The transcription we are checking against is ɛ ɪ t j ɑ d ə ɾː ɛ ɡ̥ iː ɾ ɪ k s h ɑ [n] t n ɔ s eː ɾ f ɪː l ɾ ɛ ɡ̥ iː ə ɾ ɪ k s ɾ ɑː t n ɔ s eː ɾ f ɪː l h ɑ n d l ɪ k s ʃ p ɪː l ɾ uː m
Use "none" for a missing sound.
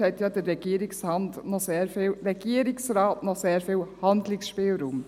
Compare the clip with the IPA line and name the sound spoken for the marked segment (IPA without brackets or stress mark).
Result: n